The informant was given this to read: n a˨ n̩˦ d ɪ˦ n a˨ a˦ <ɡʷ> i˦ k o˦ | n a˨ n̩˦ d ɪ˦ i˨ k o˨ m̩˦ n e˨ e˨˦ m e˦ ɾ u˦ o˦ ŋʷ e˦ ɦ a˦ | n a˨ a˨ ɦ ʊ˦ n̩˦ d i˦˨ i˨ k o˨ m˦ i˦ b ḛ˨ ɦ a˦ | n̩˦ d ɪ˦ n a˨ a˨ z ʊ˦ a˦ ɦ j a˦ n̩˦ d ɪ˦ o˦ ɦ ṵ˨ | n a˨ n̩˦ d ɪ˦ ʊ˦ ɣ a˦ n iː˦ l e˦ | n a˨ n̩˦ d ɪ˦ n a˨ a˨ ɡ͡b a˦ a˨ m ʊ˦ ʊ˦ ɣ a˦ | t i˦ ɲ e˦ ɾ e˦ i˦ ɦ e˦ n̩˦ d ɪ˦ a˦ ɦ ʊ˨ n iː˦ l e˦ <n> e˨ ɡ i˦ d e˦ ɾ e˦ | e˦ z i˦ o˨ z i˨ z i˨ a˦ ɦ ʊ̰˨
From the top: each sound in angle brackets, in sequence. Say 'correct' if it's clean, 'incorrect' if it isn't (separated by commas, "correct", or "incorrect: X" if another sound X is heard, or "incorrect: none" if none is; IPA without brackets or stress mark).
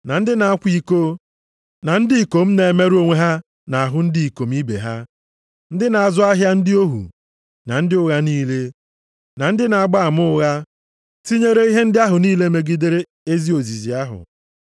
incorrect: kʷ, incorrect: m